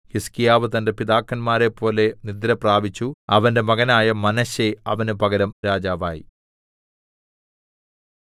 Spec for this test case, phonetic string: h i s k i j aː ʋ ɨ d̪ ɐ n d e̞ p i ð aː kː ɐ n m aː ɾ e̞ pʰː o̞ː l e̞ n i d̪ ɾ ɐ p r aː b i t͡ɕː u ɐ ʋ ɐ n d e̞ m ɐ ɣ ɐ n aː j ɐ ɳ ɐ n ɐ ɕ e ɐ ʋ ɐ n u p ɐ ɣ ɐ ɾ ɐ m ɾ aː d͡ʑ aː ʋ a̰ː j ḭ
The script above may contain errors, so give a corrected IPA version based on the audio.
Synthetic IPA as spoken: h i s k i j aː ʋ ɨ t̪ ɐ n d e̞ p i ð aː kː ɐ n m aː ɾ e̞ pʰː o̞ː l e̞ n i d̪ ɾ ɐ p r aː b i t͡ɕː u ɐ ʋ ɐ n d e̞ m ɐ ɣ ɐ n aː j ɐ m ɐ n ɐ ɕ e ɐ ʋ ɐ n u p ɐ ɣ ɐ ɾ ɐ m ɾ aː d͡ʑ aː ʋ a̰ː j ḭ